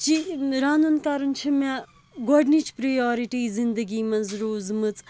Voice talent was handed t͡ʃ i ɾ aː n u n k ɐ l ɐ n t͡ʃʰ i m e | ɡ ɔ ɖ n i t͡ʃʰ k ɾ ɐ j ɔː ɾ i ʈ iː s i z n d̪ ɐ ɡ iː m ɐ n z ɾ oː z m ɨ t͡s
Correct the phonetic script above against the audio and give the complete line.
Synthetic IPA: t͡ʃ i ɾ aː n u n k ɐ ɾ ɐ n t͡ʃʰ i m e | ɡ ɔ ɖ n i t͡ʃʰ p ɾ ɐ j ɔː ɾ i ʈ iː z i n d̪ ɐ ɡ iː m ɐ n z ɾ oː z m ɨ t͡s